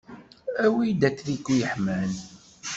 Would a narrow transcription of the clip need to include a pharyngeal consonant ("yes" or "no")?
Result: yes